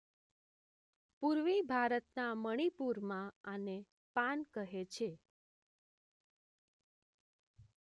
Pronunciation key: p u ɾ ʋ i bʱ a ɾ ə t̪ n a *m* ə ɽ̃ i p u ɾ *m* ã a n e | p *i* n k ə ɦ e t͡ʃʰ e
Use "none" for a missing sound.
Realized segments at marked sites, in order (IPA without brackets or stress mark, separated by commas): m, m, a